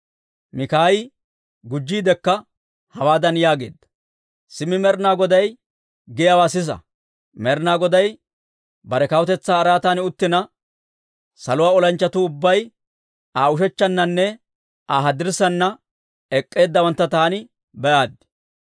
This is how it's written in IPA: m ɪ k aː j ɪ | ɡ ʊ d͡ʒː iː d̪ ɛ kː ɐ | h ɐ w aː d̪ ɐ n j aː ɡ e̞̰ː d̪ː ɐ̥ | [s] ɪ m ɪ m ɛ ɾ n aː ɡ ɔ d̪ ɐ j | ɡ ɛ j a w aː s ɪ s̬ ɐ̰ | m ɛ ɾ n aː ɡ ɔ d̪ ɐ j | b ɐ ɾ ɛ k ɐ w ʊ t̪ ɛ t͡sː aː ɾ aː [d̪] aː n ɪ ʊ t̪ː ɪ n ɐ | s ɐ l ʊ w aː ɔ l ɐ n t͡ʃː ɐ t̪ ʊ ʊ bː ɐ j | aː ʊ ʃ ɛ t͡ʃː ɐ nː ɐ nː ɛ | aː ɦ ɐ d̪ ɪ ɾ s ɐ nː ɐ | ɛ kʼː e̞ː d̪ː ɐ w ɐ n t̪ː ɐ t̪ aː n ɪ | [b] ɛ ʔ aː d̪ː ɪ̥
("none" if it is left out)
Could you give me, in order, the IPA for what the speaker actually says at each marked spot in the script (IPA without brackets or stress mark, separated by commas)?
s, t̪, b